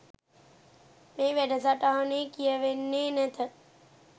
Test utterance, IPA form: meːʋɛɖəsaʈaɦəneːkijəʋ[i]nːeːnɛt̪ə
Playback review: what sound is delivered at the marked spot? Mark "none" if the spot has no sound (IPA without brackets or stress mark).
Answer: e